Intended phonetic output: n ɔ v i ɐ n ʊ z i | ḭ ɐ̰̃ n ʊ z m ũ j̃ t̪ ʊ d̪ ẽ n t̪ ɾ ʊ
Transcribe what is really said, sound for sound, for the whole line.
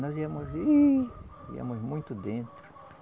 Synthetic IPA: n ɔ z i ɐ m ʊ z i | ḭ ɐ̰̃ m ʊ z m ũ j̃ t̪ ʊ d̪ ẽ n t̪ ɾ ʊ